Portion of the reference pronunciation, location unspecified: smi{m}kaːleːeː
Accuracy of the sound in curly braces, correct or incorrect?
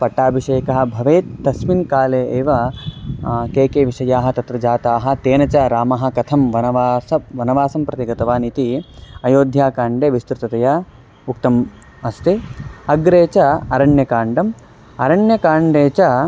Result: incorrect